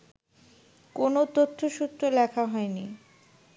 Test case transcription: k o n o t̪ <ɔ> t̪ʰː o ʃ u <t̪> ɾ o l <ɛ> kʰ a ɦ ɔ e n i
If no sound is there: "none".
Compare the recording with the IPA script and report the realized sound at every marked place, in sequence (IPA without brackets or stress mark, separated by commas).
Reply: o, t̪, ɛ